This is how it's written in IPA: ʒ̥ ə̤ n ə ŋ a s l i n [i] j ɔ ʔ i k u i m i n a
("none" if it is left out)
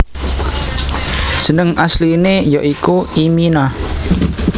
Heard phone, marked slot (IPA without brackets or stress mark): e